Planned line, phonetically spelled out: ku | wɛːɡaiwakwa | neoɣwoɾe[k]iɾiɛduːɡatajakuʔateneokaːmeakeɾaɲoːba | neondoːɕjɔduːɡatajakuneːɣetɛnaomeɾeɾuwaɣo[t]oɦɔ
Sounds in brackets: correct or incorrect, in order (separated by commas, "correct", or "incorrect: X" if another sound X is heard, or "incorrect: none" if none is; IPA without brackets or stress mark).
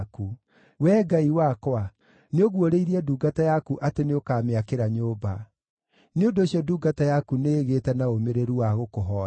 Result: incorrect: none, incorrect: k